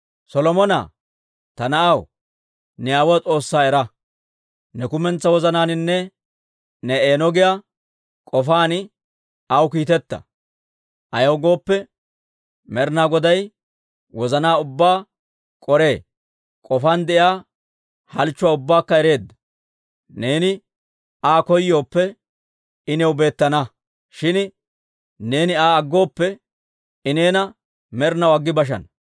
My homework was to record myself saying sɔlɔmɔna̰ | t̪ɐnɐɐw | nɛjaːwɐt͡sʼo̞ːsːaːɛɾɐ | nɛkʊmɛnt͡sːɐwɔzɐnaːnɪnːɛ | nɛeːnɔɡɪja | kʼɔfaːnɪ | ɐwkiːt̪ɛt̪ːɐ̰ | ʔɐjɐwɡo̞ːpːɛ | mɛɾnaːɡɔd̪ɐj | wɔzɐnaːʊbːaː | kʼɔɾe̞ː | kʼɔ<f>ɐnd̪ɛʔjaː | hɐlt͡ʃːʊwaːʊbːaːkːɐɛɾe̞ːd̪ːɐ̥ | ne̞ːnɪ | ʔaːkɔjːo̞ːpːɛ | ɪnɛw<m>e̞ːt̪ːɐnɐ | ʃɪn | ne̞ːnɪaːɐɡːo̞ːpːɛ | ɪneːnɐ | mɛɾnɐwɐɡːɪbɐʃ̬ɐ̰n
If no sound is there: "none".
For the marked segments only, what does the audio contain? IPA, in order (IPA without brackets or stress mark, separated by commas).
f, b